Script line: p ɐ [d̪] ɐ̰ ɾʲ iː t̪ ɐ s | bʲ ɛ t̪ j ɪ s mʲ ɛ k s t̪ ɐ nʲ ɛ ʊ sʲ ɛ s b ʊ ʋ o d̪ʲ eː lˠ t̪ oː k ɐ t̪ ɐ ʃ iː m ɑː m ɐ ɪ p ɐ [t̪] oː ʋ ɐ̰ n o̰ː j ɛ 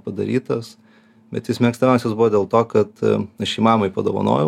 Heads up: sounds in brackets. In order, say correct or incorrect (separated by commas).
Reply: correct, incorrect